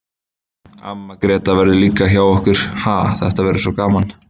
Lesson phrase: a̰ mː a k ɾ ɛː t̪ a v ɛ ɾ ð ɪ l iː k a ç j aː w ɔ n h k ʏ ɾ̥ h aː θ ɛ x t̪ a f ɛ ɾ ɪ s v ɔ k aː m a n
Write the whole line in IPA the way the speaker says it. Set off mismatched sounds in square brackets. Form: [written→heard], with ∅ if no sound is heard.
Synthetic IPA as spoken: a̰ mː a k ɾ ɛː t̪ a v ɛ ɾ ð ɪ l iː k a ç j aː w ɔ [n→∅] h k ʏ ɾ̥ h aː θ ɛ [x→h] t̪ a [f→v] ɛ ɾ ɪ s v ɔ k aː m a n